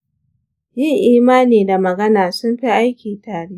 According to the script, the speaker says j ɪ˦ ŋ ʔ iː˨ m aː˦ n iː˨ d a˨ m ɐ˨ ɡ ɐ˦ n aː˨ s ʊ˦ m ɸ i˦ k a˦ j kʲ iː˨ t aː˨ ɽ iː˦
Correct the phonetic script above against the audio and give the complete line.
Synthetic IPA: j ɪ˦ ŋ ʔ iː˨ m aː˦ n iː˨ d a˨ m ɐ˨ ɡ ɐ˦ n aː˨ s ʊ˦ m ɸ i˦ ʔ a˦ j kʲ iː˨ t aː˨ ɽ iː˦